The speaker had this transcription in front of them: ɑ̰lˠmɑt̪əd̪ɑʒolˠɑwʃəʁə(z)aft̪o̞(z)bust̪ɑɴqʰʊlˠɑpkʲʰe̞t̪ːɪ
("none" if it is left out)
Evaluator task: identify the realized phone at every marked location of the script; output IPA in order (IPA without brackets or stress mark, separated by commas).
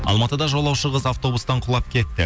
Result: z, none